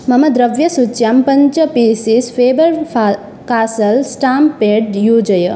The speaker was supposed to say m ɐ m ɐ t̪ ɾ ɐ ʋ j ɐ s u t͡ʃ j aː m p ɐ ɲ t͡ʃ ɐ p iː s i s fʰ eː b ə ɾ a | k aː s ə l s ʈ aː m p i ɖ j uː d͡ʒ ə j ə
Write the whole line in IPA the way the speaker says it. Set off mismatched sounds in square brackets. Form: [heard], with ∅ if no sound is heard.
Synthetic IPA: m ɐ m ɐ [d̪] ɾ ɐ ʋ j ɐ s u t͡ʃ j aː m p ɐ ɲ t͡ʃ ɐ p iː s i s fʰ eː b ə ɾ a | k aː s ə l s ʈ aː m p [e] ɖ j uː d͡ʒ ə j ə